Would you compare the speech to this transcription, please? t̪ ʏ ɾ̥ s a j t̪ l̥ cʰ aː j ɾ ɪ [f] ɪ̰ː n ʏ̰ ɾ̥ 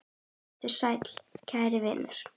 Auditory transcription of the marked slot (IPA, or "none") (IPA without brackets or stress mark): v